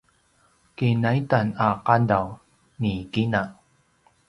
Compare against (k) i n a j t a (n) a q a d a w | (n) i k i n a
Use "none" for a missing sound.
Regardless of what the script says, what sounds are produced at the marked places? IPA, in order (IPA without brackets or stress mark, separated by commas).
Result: k, n, n